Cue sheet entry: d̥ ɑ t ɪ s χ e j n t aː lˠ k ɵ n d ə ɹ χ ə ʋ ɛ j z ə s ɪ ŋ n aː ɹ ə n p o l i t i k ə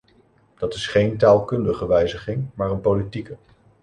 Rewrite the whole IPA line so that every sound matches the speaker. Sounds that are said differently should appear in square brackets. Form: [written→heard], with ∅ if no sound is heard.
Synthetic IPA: d̥ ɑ t ɪ s χ e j n t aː lˠ k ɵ n d ə [ɹ→∅] χ ə ʋ ɛ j z ə [s→χ] ɪ ŋ [n→m] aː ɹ ə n p o l i t i k ə